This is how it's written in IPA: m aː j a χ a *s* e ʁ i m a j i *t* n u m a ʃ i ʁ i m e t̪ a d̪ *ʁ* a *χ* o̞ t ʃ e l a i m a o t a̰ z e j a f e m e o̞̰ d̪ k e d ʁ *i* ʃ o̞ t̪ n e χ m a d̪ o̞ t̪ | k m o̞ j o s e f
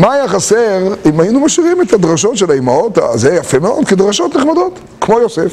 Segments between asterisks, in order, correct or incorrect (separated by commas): correct, incorrect, correct, incorrect, incorrect